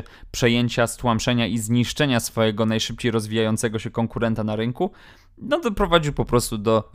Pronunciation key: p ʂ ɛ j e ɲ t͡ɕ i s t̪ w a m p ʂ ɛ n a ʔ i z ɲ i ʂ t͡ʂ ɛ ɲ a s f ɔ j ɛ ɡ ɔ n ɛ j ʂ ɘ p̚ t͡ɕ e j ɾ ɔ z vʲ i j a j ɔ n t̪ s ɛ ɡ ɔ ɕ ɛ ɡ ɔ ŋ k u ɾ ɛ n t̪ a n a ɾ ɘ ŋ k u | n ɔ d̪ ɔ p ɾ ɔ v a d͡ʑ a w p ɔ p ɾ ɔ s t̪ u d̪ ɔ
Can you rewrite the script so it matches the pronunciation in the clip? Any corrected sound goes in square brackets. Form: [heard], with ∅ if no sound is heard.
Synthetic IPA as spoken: p ʂ ɛ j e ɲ t͡ɕ [a] s t̪ w a m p ʂ ɛ [ɲ] a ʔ i z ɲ i ʂ t͡ʂ ɛ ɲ a s f ɔ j ɛ ɡ ɔ n [a] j ʂ ɘ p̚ t͡ɕ e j ɾ ɔ z vʲ i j a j ɔ n t̪ s ɛ ɡ ɔ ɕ ɛ [k] ɔ ŋ k u ɾ ɛ n t̪ a n a ɾ ɘ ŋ k u | n ɔ d̪ ɔ p ɾ ɔ v a d͡ʑ [i] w p ɔ p ɾ ɔ s t̪ u d̪ ɔ